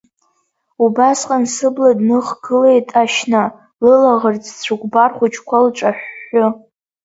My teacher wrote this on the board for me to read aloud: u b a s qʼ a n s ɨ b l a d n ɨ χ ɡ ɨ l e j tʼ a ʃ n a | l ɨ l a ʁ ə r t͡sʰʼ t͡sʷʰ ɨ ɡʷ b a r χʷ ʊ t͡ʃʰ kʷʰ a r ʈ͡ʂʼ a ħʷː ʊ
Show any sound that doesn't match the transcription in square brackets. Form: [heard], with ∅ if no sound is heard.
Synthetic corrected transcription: u b a s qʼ a n s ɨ b l a d n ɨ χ ɡ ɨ l e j tʼ a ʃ n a | l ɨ l a ʁ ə r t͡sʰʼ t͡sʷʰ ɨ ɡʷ b a r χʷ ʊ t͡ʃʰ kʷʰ a [l] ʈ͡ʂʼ a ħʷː ʊ